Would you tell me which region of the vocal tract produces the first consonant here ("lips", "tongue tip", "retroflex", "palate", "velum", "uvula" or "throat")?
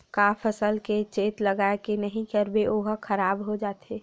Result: velum